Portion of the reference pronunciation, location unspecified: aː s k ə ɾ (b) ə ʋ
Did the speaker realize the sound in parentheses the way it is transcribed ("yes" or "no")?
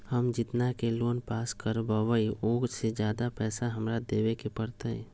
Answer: yes